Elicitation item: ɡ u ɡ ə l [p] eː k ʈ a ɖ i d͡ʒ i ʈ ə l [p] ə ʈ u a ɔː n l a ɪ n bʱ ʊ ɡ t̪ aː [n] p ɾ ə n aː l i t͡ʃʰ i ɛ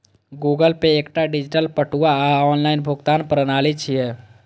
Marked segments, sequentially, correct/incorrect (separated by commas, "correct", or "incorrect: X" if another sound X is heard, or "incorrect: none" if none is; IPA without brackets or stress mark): correct, correct, correct